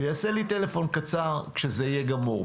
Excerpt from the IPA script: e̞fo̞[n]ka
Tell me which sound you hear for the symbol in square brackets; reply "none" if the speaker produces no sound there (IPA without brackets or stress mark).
n